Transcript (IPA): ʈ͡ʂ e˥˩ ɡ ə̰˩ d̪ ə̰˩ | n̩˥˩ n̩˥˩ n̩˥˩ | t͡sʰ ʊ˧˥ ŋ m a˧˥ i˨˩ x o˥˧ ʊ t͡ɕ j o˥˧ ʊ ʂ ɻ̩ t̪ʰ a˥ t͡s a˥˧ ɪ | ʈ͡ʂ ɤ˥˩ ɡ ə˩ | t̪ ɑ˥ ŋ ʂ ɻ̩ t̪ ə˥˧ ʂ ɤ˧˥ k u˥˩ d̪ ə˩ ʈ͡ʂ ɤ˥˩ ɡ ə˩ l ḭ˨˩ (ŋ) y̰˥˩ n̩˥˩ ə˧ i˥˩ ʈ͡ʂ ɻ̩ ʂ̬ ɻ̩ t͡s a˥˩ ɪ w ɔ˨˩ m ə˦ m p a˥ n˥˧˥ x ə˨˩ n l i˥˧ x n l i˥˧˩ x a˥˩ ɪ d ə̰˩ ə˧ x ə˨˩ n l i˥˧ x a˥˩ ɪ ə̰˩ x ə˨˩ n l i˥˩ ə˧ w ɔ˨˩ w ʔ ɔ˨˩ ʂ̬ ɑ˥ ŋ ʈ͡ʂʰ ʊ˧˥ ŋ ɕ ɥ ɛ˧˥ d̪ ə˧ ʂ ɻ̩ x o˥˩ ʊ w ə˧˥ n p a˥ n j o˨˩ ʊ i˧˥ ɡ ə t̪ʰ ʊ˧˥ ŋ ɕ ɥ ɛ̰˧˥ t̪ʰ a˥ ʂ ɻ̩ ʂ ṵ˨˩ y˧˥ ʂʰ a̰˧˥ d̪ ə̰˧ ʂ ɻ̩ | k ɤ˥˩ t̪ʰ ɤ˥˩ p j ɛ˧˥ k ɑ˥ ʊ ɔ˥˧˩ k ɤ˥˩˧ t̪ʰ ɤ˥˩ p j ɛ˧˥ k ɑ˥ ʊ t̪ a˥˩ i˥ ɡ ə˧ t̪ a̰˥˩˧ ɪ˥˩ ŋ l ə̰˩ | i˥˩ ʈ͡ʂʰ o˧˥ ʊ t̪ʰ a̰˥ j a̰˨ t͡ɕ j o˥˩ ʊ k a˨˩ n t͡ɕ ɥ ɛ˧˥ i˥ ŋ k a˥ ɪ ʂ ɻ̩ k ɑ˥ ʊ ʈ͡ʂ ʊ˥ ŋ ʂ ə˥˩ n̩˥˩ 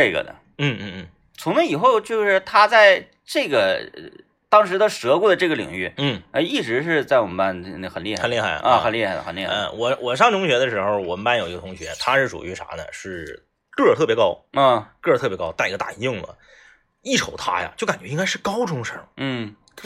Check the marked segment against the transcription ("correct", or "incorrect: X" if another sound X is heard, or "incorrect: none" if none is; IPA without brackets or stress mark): correct